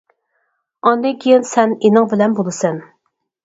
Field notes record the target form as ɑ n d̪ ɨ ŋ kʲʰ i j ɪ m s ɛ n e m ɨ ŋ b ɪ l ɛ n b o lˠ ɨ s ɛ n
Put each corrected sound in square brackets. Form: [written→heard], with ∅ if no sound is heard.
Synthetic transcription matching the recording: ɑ n d̪ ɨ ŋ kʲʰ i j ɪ [m→n] s ɛ n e [m→n] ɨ ŋ b ɪ l ɛ n b o lˠ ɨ s ɛ n